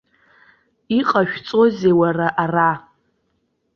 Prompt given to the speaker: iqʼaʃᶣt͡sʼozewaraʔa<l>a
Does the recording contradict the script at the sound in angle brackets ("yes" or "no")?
yes